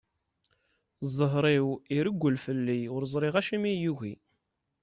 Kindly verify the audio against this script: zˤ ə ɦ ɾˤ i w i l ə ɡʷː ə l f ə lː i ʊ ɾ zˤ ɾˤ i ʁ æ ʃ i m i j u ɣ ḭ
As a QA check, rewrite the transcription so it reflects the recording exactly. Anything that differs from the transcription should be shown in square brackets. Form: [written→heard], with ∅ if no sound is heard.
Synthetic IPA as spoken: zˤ ə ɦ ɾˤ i w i [l→ɾ] ə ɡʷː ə l f ə lː i ʊ ɾ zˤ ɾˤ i ʁ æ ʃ i m i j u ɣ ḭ